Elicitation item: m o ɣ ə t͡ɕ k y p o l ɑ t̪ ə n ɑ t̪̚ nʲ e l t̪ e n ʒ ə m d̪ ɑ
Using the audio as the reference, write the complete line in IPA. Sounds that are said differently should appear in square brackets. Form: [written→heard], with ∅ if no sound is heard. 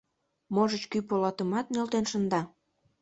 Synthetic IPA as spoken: m o [ɣ→ʒ] ə t͡ɕ k y p o l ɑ t̪ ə [n→m] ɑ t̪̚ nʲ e l t̪ e n [ʒ→ʃ] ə [m→n] d̪ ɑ